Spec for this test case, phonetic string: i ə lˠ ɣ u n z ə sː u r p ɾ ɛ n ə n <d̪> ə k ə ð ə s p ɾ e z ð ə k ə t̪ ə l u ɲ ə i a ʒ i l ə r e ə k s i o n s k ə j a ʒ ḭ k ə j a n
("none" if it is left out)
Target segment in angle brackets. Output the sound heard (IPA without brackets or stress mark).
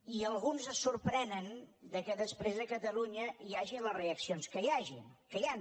d̪